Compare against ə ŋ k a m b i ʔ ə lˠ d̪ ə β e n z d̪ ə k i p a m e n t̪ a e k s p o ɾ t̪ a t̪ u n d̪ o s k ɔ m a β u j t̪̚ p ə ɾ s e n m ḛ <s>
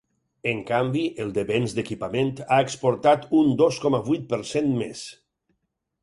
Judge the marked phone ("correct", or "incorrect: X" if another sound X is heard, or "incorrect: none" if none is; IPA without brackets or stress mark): correct